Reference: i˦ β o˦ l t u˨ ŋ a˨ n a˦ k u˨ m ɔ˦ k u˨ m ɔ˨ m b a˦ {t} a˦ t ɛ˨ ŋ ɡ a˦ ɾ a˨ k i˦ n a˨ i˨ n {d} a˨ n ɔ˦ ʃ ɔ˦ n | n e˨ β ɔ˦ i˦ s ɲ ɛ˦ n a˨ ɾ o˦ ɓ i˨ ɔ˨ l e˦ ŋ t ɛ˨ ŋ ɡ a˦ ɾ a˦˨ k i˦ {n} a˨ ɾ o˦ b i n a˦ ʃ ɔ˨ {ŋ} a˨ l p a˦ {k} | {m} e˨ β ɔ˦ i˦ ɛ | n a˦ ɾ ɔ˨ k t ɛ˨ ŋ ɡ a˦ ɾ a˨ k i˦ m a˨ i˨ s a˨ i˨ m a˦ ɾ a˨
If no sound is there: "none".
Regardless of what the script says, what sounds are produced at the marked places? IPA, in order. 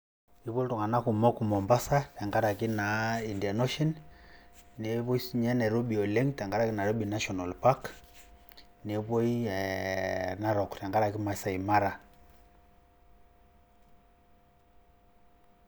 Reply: s, d, n, n, k, n

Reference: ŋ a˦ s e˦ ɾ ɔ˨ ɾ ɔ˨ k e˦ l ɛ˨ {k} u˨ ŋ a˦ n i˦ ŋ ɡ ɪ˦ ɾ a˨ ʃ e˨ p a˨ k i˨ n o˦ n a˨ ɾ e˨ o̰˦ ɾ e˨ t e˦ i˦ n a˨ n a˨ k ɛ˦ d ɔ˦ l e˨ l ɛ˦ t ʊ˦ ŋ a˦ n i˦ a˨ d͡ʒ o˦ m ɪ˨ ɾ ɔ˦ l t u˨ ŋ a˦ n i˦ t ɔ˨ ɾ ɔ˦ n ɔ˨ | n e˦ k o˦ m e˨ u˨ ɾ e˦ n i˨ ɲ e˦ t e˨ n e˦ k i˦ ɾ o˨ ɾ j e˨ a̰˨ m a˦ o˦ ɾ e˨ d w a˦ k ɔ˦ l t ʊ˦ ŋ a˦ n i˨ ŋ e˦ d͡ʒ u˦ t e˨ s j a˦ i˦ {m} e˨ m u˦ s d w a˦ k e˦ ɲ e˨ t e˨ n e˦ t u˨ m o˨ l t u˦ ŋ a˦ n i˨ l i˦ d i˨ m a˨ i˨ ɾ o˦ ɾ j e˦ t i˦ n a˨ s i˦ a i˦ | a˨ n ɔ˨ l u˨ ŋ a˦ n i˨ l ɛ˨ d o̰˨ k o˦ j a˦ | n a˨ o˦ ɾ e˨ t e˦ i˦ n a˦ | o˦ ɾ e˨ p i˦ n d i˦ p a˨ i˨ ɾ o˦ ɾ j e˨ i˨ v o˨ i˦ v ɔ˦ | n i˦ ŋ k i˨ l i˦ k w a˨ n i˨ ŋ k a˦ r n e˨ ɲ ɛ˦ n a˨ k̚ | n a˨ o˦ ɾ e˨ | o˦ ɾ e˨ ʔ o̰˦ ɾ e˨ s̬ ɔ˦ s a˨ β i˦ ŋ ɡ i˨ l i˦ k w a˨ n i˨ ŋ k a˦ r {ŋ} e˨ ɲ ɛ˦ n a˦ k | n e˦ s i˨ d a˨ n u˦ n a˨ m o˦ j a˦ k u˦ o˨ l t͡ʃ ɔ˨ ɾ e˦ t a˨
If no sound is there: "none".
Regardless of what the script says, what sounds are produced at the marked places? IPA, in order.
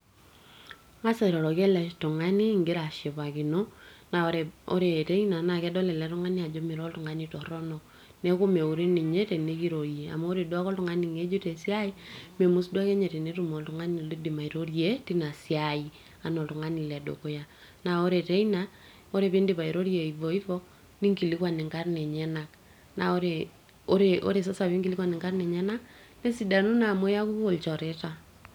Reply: t, m, n

